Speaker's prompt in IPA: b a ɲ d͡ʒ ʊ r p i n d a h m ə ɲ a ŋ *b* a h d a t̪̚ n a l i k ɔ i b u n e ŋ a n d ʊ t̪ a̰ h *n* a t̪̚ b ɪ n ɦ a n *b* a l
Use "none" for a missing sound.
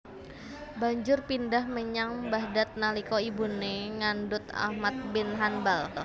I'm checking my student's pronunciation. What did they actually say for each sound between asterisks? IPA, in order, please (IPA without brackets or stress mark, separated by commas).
b, m, b